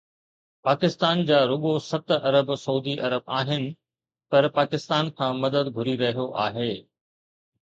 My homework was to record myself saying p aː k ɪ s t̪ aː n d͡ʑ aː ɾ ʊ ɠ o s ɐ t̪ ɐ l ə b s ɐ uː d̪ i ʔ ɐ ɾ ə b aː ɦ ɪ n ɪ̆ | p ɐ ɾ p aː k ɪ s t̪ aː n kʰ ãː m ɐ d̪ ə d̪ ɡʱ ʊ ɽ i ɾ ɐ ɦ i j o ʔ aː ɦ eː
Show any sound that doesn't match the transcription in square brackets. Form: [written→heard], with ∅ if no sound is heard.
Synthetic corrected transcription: p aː k ɪ s t̪ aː n d͡ʑ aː ɾ ʊ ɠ o s ɐ t̪ ɐ [l→ɾ] ə b s ɐ uː d̪ i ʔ ɐ ɾ ə b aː ɦ ɪ n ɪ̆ | p ɐ ɾ p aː k ɪ s t̪ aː n kʰ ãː m ɐ d̪ ə d̪ ɡʱ ʊ [ɽ→ɾ] i ɾ ɐ ɦ i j o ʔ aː ɦ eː